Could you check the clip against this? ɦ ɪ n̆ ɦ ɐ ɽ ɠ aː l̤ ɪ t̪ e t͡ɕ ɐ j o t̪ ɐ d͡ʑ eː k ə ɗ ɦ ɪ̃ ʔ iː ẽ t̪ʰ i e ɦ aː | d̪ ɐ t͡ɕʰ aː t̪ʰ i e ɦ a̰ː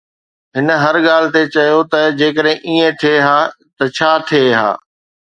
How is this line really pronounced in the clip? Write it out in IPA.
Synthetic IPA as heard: ɦ ɪ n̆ ɦ ɐ ɾ ɠ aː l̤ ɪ t̪ e t͡ɕ ɐ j o t̪ ɐ d͡ʑ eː k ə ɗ ɦ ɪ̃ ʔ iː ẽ t̪ʰ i e ɦ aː | t̪ ɐ t͡ɕʰ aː t̪ʰ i e ɦ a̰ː